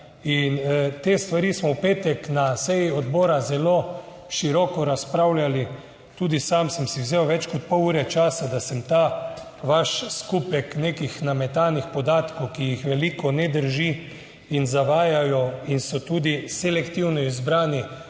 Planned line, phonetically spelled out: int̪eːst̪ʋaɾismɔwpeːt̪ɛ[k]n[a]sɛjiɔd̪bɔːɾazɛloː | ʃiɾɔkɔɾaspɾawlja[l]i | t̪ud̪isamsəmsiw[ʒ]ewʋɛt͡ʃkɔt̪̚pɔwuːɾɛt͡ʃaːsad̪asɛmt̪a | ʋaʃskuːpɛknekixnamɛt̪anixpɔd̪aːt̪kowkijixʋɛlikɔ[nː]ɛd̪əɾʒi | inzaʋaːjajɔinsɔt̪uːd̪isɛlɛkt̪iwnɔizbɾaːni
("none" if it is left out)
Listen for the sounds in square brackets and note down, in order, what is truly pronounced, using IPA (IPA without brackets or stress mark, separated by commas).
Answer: k, a, l, z, n